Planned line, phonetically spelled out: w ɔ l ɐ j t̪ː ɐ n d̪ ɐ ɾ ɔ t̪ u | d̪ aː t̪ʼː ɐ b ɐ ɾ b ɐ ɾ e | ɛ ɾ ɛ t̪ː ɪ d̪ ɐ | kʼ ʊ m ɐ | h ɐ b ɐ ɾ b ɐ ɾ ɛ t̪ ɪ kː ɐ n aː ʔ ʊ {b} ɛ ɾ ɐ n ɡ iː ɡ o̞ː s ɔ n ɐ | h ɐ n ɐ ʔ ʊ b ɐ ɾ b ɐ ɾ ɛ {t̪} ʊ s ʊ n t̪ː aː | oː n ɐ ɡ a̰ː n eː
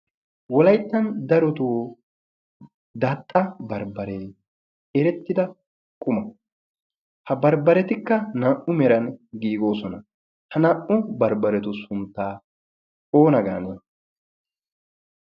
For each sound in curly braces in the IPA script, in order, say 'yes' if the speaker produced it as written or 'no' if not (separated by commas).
no, yes